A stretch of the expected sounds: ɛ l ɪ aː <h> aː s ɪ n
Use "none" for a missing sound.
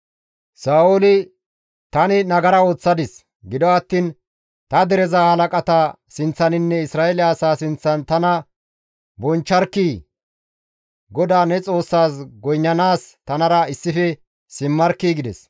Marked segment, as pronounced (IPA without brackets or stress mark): s